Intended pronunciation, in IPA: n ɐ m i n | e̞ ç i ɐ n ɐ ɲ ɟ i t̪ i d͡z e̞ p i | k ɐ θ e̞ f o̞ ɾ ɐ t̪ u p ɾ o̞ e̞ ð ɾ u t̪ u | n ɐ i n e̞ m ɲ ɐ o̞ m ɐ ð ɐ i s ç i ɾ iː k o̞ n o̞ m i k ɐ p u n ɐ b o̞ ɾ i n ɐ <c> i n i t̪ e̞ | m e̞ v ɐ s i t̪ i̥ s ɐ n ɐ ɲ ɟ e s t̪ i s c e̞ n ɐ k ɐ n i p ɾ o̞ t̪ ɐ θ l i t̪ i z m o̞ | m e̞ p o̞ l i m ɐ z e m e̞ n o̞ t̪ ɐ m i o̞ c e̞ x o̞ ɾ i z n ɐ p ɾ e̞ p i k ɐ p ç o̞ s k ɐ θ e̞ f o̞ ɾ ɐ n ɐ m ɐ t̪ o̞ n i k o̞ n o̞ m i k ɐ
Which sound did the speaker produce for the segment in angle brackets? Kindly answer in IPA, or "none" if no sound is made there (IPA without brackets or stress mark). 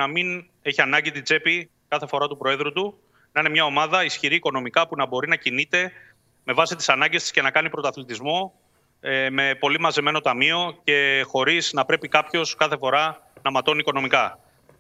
c